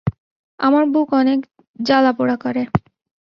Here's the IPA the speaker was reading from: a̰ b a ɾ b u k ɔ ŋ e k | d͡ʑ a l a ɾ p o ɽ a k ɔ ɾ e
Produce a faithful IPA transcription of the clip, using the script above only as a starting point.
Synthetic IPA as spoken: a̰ m a ɾ b u k ɔ n e k | d͡ʑ a l a p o ɽ a k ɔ ɾ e